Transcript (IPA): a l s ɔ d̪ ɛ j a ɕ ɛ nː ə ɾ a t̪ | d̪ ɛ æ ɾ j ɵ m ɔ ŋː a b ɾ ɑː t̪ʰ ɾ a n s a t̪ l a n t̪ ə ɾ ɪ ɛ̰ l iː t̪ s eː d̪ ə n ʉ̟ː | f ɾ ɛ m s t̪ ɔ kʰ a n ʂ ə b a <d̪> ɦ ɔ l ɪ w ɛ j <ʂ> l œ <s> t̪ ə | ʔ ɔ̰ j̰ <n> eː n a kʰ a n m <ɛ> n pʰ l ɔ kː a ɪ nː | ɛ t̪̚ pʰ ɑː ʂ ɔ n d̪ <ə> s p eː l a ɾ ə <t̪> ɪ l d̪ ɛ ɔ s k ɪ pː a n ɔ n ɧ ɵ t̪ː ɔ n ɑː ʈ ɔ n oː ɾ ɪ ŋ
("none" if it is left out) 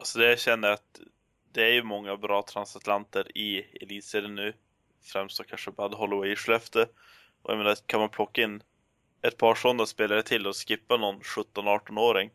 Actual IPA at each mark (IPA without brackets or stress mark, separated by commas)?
d̪, ʂ, f, m, a, a, t̪ʰ